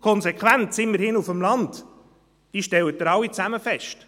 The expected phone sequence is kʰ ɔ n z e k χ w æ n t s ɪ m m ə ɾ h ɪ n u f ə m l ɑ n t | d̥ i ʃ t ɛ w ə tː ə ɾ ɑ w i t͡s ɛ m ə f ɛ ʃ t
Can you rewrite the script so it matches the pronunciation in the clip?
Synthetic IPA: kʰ ɔ n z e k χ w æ n t s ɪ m m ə ɾ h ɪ n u f ə m l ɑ n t | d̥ i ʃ t ɛ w ə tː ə ɾ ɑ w i t͡s æ m ə f ɛ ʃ t